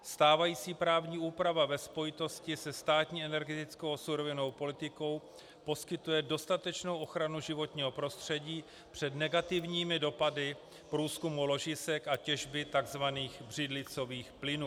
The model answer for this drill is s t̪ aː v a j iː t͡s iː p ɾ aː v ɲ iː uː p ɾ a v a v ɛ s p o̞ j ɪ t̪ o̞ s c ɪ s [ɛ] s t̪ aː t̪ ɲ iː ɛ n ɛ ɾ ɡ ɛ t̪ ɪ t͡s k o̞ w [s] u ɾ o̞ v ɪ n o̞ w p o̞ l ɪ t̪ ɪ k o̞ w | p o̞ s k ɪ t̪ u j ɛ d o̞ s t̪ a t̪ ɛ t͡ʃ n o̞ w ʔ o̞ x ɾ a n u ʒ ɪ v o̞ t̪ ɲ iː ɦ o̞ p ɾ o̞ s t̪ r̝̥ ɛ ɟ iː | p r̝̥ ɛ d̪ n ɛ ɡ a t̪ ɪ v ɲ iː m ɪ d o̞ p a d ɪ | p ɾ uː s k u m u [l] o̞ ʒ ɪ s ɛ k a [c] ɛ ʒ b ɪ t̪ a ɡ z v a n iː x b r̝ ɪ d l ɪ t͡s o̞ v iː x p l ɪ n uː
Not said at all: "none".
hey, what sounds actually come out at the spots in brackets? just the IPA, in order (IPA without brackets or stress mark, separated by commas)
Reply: ɛ, s, l, c